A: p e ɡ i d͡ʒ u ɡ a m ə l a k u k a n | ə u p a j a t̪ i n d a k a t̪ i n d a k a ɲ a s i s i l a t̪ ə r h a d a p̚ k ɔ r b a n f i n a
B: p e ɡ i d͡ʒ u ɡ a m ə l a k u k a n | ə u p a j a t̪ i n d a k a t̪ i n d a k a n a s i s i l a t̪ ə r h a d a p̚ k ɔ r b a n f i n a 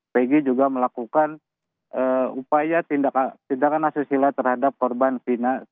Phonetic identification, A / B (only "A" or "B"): B